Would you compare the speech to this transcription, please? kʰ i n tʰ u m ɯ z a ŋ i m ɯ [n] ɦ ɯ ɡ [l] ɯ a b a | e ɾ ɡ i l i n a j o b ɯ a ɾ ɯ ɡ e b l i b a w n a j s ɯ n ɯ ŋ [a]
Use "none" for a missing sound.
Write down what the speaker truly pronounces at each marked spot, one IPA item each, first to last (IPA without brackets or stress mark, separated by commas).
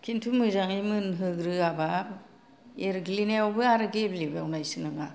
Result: n, ɾ, a